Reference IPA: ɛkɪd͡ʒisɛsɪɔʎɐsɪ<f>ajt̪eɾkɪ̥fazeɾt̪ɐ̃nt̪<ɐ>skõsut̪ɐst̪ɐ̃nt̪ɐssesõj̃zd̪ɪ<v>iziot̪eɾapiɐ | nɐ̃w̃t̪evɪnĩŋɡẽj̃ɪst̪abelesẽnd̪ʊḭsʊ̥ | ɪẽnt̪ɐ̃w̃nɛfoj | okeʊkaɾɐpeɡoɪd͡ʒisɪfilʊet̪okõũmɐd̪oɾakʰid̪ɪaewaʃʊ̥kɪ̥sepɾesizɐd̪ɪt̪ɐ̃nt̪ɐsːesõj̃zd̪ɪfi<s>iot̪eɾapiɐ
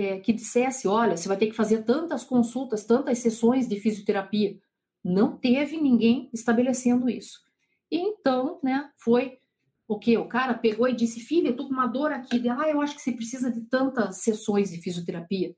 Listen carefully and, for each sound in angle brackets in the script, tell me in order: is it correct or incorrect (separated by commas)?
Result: incorrect, correct, incorrect, incorrect